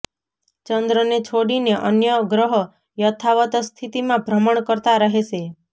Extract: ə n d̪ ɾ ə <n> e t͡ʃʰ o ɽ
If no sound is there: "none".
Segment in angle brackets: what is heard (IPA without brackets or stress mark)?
n